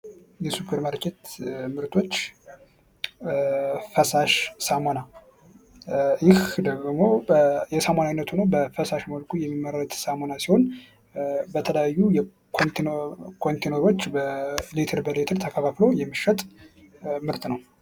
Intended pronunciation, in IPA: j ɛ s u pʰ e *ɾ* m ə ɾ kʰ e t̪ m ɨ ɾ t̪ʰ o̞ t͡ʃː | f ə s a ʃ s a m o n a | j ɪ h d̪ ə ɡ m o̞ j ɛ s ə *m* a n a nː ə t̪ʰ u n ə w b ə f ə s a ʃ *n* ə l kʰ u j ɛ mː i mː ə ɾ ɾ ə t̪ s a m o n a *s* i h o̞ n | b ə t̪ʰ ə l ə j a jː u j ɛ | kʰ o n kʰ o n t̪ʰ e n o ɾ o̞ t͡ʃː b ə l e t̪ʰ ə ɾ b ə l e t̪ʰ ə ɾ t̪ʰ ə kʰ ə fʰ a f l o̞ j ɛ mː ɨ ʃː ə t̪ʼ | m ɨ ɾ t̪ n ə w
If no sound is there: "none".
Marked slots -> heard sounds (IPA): ɾ, m, m, s

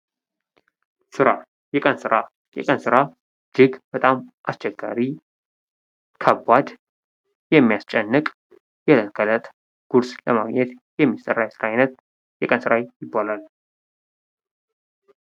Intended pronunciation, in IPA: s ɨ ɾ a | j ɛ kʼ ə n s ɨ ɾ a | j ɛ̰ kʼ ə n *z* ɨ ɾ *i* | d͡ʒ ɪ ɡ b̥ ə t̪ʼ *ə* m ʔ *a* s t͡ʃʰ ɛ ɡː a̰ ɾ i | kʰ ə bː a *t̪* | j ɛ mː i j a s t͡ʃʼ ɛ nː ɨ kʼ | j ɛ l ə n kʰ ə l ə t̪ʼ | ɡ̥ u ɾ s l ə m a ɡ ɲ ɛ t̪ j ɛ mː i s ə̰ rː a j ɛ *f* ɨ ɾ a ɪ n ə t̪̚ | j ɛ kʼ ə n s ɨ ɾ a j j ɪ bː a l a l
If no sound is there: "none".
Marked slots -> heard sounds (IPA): s, a, a, a, d̪, s

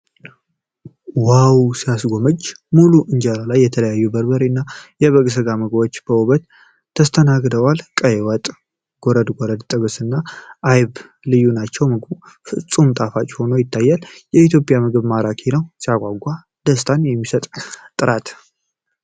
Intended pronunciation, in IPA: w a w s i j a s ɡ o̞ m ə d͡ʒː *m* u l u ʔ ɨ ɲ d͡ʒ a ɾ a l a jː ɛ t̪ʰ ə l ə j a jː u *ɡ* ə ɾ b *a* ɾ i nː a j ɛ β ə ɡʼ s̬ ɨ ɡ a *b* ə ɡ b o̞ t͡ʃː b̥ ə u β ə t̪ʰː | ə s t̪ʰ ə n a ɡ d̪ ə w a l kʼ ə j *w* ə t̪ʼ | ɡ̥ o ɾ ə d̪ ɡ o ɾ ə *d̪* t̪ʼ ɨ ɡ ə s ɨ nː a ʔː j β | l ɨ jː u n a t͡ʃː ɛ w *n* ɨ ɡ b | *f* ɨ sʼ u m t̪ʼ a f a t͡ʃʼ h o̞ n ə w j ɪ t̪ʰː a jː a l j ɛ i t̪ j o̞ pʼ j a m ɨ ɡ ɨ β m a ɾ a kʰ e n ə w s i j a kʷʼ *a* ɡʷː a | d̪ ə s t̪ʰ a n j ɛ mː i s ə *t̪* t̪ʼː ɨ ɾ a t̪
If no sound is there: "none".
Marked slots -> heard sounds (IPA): m, b, ə, m, w, d̪, m, f, a, t̪ʼ

